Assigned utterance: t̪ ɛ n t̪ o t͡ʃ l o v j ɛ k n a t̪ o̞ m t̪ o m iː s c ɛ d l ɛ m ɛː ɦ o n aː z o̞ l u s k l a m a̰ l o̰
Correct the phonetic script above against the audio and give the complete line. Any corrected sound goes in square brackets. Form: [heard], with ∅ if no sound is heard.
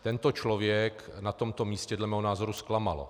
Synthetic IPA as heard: t̪ ɛ n t̪ o t͡ʃ l o v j ɛ k n a t̪ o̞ m t̪ o m iː s c ɛ d l ɛ m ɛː ɦ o n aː z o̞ [ɾ] u s k l a m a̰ l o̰